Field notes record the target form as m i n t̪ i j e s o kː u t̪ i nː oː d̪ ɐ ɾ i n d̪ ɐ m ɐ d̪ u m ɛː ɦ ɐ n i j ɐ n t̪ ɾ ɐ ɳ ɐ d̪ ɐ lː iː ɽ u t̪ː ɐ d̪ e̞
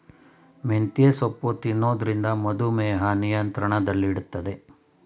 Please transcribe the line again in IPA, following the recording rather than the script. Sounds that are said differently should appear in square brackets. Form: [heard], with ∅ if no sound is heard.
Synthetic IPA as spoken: m [e] n t̪ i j e s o [pː] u t̪ i nː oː d̪ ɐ ɾ i n d̪ ɐ m ɐ d̪ u m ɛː ɦ ɐ n i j ɐ n t̪ ɾ ɐ ɳ ɐ d̪ ɐ lː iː ɽ u t̪ː ɐ d̪ e̞